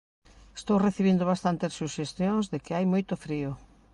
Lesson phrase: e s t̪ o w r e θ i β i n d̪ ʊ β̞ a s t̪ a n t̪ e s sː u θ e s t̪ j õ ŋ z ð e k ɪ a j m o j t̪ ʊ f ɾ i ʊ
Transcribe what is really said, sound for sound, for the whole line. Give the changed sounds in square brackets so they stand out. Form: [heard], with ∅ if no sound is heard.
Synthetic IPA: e s t̪ o w r e θ i β i n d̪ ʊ β̞ a s t̪ a n t̪ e s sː u [ʃ] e s t̪ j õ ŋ z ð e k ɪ a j m o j t̪ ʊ f ɾ i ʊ